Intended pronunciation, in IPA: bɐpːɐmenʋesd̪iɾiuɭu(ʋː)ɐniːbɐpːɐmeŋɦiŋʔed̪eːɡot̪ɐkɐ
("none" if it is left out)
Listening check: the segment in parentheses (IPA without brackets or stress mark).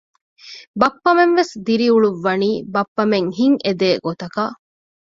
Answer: ʋː